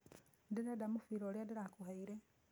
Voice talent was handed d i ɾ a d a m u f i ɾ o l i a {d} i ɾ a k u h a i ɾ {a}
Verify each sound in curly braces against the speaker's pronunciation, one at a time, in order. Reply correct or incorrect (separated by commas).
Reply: correct, incorrect